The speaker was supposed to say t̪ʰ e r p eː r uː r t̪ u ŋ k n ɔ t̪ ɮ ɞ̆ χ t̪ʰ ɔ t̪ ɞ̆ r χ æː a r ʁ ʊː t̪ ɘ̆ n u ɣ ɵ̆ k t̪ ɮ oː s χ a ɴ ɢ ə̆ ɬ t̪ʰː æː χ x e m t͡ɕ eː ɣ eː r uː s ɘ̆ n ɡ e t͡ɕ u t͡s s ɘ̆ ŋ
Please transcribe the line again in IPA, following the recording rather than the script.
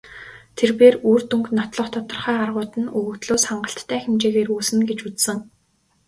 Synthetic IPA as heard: t̪ʰ e r p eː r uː r t̪ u ŋ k n ɔ t̪ ɮ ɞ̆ χ t̪ʰ ɔ t̪ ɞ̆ r χ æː a r ʁ ʊː t̪ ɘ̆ n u ɣ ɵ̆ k t̪ ɮ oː s χ a ɴ ɢ ə̆ ɬ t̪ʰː æː x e m t͡ɕ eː ɣ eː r uː s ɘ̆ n ɡ e t͡ɕ u t͡s s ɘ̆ ŋ